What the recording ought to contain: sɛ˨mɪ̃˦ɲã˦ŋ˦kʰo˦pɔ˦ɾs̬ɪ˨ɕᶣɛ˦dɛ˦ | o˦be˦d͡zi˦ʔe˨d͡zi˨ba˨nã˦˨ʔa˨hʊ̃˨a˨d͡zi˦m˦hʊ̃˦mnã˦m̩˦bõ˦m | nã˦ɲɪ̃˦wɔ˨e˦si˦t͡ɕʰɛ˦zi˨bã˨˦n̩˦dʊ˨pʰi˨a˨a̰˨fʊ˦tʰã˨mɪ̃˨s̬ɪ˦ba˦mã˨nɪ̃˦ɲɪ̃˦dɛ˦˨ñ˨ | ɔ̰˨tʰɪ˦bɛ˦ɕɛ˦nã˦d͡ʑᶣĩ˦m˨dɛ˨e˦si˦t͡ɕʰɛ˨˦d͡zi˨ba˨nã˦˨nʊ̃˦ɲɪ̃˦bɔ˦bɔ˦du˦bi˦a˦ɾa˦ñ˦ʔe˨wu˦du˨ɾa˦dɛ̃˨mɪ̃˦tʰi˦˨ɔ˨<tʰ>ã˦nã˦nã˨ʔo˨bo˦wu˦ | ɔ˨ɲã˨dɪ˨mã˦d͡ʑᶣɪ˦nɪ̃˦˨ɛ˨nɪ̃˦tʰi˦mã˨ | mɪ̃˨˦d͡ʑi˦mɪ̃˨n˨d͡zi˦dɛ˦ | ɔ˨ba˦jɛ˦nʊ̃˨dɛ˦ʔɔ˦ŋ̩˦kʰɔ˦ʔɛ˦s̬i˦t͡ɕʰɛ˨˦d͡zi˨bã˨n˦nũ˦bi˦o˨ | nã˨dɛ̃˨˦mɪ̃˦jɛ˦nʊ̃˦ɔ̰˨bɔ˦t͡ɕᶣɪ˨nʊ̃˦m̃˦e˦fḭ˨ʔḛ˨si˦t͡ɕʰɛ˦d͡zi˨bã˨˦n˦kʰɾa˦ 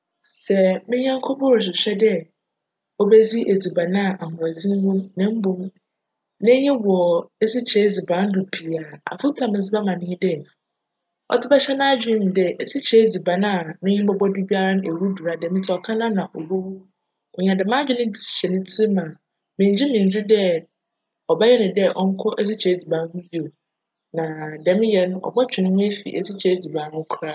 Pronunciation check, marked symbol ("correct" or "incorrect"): incorrect